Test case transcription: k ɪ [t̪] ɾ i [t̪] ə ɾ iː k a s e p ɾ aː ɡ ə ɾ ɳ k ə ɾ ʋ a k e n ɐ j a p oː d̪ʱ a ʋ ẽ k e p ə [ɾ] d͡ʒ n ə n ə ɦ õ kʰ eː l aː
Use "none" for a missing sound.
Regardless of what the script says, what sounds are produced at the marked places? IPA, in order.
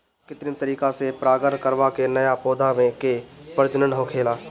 t̪, t̪, ɾ

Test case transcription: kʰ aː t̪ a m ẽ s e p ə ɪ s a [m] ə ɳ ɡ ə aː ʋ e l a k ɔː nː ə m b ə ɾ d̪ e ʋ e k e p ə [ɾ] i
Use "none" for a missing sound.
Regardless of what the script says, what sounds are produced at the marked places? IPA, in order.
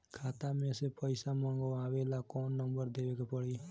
m, ɽ

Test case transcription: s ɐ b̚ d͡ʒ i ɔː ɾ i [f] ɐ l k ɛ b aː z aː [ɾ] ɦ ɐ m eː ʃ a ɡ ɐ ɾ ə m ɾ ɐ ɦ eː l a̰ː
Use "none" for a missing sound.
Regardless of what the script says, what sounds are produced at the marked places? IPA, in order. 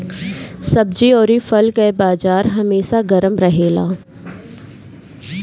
f, ɾ

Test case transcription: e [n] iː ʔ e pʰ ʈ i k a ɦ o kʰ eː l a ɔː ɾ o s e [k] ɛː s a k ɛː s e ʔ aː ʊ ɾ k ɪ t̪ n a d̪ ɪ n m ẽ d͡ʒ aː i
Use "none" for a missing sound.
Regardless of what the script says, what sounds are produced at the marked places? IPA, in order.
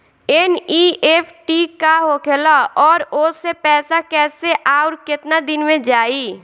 n, p

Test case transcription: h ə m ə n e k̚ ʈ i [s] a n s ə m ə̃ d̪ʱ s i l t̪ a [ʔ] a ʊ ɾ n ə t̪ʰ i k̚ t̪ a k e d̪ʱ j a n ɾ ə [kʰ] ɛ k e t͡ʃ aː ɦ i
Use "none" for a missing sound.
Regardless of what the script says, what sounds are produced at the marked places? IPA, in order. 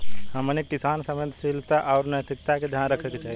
s, ʔ, kʰ

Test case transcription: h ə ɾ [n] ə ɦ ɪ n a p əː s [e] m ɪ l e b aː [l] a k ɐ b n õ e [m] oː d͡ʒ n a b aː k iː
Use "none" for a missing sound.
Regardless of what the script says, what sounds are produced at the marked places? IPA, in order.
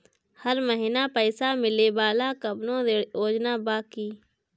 m, a, l, none

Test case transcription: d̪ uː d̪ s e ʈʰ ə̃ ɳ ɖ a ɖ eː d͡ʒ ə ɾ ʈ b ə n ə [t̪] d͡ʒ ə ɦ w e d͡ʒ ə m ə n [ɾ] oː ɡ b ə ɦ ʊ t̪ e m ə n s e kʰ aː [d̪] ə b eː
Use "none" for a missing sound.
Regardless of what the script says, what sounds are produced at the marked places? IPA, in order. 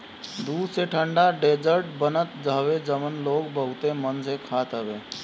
t̪, l, t̪

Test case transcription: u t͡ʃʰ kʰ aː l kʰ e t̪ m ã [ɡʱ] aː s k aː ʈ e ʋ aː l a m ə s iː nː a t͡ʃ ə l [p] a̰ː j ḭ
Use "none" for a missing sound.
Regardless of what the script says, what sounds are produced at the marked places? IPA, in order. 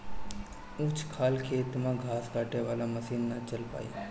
ɡʱ, p

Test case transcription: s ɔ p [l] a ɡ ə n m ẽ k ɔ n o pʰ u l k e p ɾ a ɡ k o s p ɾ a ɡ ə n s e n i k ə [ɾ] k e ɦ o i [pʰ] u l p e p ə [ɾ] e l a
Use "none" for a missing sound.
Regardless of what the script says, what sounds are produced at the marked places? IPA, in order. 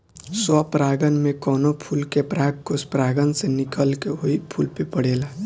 ɾ, l, pʰ, ɽ

